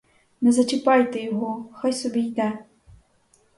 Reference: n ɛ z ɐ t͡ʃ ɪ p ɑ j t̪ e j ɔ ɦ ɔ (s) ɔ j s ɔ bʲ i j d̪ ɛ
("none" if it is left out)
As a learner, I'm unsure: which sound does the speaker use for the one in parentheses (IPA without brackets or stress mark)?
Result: x